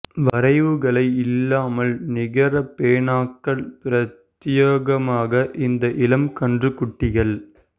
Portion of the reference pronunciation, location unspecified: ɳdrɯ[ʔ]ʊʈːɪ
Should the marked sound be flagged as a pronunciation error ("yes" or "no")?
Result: yes